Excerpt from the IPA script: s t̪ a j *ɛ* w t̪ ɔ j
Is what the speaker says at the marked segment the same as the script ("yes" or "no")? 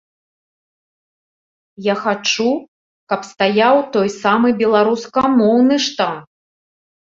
no